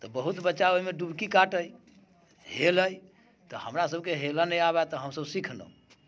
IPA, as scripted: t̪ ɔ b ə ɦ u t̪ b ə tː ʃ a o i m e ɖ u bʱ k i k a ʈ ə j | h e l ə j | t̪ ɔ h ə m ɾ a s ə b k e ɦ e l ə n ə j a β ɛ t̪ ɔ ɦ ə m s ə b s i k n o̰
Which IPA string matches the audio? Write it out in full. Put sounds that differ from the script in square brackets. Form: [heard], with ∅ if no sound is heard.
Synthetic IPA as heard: t̪ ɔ b ə ɦ u t̪ b ə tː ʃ a o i m e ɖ u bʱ k i k a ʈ ə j | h e l ə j | t̪ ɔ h ə m ɾ a s ə b k e ɦ e l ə n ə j a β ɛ t̪ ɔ ɦ ə m s ə b s i [kʰ] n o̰